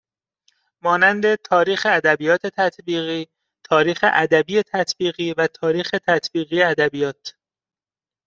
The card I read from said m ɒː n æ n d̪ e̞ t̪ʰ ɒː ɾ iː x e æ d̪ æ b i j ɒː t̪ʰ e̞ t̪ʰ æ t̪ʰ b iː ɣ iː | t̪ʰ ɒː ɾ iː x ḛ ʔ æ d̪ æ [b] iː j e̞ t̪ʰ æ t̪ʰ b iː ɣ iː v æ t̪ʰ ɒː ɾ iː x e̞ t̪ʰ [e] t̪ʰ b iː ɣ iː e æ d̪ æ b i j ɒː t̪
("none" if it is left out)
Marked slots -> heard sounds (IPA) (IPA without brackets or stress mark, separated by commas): b, æ